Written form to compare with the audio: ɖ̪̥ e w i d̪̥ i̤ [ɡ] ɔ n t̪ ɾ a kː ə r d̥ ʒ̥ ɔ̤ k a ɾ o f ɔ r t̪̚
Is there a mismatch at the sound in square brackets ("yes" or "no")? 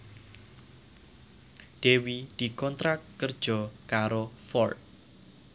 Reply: yes